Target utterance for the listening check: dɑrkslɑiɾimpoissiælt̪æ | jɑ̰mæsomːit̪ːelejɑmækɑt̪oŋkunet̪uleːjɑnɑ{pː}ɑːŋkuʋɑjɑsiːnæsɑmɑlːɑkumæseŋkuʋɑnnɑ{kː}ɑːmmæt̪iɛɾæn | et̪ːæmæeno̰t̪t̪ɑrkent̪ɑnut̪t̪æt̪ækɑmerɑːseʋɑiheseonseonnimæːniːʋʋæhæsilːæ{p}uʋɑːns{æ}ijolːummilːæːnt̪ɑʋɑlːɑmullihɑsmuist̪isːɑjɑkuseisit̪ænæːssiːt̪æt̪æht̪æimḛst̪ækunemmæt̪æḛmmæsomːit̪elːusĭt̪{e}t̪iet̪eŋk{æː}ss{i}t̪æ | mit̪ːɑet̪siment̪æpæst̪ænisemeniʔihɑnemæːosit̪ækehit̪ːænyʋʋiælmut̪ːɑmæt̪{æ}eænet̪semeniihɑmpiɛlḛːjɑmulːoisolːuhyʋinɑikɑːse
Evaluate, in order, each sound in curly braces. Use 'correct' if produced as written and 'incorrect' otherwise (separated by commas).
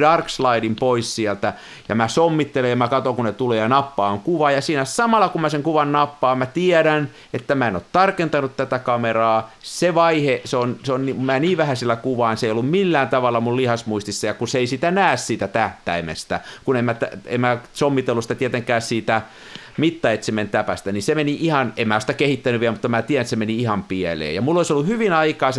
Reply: correct, incorrect, incorrect, incorrect, incorrect, correct, incorrect, incorrect